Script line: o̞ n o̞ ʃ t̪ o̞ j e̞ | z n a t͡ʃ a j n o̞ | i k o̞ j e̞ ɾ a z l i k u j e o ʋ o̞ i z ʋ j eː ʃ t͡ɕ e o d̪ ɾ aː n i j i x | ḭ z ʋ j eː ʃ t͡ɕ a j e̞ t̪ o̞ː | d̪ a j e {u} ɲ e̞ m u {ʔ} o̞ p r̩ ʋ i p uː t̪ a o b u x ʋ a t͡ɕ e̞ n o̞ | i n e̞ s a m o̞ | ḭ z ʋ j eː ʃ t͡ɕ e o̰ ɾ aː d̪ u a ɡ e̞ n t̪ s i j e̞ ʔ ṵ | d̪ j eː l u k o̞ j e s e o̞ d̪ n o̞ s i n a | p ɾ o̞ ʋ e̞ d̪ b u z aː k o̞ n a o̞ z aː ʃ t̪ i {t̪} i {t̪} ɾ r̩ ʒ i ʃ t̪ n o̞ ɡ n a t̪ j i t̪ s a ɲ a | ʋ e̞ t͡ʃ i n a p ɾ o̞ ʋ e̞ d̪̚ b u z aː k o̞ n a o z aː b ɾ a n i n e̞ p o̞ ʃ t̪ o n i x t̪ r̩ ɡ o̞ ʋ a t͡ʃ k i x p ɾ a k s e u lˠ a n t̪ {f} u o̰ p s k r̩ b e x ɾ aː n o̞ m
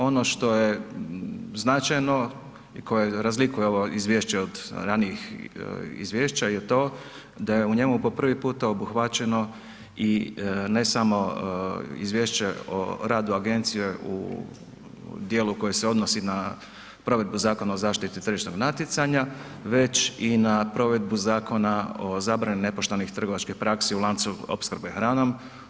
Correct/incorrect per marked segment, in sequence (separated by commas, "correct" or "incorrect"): correct, incorrect, correct, correct, incorrect